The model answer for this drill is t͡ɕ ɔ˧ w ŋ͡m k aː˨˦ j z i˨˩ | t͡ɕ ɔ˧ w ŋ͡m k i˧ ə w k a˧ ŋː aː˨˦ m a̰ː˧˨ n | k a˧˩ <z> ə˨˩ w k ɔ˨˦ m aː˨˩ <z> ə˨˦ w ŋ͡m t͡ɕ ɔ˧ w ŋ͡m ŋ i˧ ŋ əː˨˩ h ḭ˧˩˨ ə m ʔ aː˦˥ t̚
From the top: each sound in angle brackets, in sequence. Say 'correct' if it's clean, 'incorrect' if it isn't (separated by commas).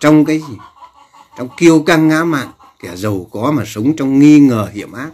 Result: correct, incorrect